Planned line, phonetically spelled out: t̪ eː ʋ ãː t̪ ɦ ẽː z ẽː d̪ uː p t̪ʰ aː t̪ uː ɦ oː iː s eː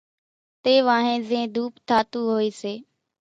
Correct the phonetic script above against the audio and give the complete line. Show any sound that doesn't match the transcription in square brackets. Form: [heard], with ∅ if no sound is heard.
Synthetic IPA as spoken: t̪ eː ʋ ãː [∅] ɦ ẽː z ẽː d̪ uː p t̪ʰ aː t̪ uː ɦ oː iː s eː